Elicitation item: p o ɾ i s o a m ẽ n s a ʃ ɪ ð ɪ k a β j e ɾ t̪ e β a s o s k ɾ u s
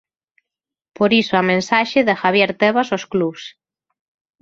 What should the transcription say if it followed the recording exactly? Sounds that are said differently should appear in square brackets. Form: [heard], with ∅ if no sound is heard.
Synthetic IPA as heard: p o ɾ i s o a m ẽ n s a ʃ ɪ ð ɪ [x] a β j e ɾ t̪ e β a s o s k [l] u s